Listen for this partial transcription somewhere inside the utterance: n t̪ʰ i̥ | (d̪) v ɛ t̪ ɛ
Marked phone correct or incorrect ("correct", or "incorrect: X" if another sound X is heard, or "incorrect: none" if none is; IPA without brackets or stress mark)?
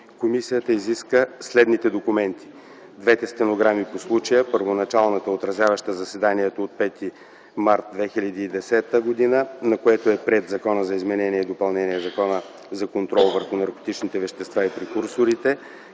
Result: correct